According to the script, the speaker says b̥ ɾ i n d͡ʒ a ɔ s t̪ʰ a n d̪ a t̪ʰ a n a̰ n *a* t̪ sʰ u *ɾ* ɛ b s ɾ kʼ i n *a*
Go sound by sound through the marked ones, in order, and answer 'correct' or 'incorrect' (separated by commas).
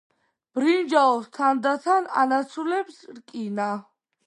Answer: correct, incorrect, correct